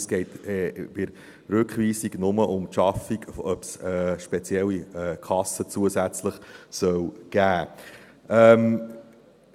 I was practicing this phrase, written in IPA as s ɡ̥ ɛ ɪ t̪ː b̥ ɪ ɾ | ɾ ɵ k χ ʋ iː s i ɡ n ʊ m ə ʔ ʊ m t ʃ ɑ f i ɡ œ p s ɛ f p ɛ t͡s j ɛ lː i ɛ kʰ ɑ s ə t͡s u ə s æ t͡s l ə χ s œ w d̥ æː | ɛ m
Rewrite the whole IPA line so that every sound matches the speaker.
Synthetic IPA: s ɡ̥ ɛ ɪ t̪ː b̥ ɪ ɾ | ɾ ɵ k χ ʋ iː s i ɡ n ʊ m ə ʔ ʊ m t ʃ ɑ f i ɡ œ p s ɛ ʃ p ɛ t͡s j ɛ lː i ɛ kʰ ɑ s ə t͡s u ə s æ t͡s l ə χ s œ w ɡ̥ æː | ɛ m